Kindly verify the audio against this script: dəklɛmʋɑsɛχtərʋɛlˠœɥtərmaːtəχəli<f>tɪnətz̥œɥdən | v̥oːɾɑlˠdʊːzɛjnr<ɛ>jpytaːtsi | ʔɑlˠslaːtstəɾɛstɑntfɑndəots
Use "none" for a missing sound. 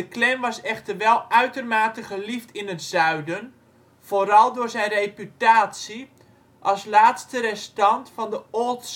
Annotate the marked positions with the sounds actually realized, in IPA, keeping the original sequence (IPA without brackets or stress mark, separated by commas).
f, e